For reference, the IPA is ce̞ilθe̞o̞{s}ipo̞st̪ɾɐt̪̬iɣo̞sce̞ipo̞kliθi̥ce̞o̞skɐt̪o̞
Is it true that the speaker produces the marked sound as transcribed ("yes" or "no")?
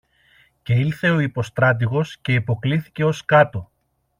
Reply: no